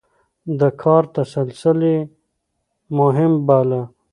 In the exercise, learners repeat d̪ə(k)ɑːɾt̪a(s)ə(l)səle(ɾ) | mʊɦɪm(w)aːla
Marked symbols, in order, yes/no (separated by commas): no, yes, yes, no, no